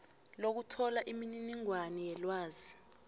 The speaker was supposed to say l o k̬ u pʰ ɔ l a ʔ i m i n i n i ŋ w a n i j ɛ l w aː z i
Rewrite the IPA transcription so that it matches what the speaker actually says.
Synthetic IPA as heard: l o k̬ u tʰ ɔ l a ʔ i m i n i n i ŋ w a n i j ɛ l w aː z i